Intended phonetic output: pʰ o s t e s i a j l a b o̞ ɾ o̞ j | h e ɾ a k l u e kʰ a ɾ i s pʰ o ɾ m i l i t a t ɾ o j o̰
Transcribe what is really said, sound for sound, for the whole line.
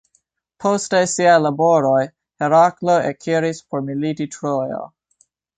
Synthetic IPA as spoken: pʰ o s t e s i a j l a b o̞ ɾ o̞ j | h e ɾ a k l o e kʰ i ɾ i s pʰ o ɾ m i l i t i t ɾ o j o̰

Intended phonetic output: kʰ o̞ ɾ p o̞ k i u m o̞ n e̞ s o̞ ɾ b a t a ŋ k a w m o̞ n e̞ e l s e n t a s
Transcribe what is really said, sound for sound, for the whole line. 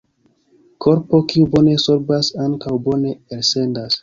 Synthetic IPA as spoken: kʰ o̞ ɾ p o̞ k i u b o̞ n e̞ s o̞ ɾ b a s a ŋ k a w b o̞ n e̞ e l s e n d a s

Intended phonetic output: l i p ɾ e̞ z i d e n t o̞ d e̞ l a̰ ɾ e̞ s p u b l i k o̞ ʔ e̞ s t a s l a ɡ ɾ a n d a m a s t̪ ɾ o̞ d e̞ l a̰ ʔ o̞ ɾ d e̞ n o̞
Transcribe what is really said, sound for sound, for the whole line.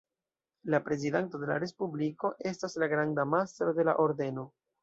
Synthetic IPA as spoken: l a p ɾ e̞ z i d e n t o̞ d e̞ l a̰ ɾ e̞ s p u b l i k o̞ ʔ e̞ s t a s l a ɡ ɾ a n d a m a s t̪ ɾ o̞ d e̞ l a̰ ʔ o̞ ɾ d e̞ n o̞

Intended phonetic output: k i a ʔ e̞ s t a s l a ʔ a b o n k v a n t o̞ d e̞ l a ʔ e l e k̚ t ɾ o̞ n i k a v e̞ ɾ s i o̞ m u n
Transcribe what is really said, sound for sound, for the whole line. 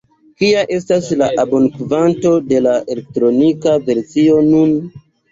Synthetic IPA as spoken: k i a ʔ e̞ s t a s l a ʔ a b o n k v a n t o̞ d e̞ l a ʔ e l e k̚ t ɾ o̞ n i k a v e̞ ɾ s i o̞ n u n

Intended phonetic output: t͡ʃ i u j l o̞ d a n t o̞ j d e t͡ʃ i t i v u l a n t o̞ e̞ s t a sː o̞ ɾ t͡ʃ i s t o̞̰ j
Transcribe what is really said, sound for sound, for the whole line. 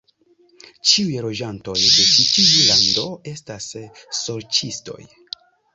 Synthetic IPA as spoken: t͡ʃ i u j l o̞ d͡ʒ a n t o̞ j d e t͡ʃ i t i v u l a n d o̞ e̞ s t a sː o̞ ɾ t͡ʃ i s t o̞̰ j

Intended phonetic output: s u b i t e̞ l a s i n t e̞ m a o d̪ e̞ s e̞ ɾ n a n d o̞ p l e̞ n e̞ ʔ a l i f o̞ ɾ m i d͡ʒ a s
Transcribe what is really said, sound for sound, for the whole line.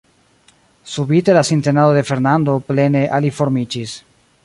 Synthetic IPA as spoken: s u b i t e̞ l a s i n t e̞ n a o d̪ e̞ f e̞ ɾ n a n d o̞ p l e̞ n e̞ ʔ a l i f o̞ ɾ m i d͡ʒ i s

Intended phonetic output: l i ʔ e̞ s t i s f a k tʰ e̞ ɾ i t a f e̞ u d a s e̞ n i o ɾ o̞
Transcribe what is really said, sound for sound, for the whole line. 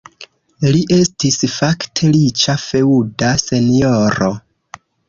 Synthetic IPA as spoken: l i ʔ e̞ s t i s f a k tʰ e̞ l i t͡ʃ a f e̞ u d a s e̞ n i o ɾ o̞

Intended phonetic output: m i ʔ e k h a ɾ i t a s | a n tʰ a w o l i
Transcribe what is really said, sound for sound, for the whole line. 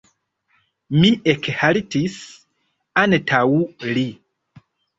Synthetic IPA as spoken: m i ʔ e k h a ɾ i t i s | a n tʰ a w u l i

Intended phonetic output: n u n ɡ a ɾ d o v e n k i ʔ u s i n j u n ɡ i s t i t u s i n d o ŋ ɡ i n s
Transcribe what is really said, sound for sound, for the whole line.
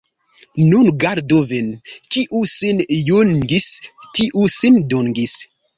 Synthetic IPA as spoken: n u n ɡ a ɾ d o v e n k i ʔ u s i n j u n ɡ i s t i ʔ u s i n d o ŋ ɡ i s

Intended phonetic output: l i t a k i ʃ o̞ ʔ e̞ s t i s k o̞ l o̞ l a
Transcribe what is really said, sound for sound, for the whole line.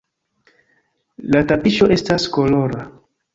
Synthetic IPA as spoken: l a t a p i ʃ o̞ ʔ e̞ s t a s k o̞ l o̞ ɾ a

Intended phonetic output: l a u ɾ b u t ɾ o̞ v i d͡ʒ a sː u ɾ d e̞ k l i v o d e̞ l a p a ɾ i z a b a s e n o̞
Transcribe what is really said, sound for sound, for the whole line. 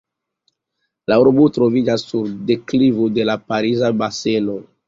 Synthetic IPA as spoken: l a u ɾ b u t ɾ o̞ v i d͡ʒ a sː u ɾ d e̞ k l i v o d e̞ l a p a ɾ i z a b a s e n o̞

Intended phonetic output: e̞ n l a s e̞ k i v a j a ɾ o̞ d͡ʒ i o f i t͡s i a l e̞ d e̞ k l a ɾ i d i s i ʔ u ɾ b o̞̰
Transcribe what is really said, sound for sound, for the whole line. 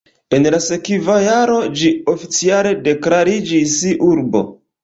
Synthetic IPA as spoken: e̞ n l a s e̞ k i v a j a ɾ o̞ d͡ʒ i o f i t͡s i a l e̞ d e̞ k l a ɾ i d͡ʒ i s i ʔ u ɾ b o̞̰

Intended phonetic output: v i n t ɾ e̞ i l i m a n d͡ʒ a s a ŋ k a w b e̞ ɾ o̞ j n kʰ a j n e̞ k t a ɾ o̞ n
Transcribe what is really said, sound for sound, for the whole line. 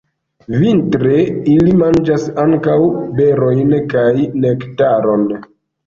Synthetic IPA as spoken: v i n t ɾ e̞ i l i m a n d͡ʒ a s a ŋ k a w b e̞ ɾ o̞ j n k a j n e̞ k t a ɾ o̞ n

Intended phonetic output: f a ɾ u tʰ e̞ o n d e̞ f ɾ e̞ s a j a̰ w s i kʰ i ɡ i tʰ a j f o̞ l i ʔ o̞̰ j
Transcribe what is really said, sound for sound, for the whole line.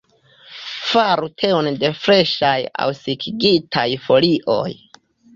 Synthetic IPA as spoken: f a ɾ u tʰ e̞ o n d e̞ f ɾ e̞ ʃ a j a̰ w s i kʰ i ɡ i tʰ a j f o̞ l i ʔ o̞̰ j

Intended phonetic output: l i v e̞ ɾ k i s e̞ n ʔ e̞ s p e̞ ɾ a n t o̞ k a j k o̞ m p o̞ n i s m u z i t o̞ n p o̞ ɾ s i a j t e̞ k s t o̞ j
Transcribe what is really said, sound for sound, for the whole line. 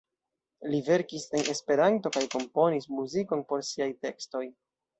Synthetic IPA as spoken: l i v e̞ ɾ k i s e̞ n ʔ e̞ s p e̞ ɾ a n t o̞ k a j k o̞ m p o̞ n i s m u z i k o̞ n p o̞ ɾ s i a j t e̞ k s t o̞ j

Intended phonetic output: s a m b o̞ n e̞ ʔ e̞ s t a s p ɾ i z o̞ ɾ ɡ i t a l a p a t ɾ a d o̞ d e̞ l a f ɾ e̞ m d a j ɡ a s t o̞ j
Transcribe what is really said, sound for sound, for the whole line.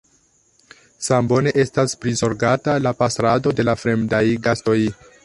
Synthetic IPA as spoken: s a m b o̞ n e̞ ʔ e̞ s t a s p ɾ i z o̞ ɾ ɡ a t a l a p a s ɾ a d o̞ d e̞ l a f ɾ e̞ m d a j ɡ a s t o̞ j

